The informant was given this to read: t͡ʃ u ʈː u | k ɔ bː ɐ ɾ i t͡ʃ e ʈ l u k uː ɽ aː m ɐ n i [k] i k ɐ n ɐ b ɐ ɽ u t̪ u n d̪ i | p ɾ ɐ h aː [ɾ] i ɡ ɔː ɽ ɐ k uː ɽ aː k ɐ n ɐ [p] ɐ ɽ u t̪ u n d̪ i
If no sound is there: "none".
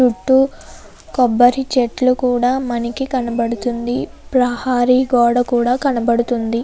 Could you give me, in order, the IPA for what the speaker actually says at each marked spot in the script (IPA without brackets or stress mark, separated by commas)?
k, ɾ, b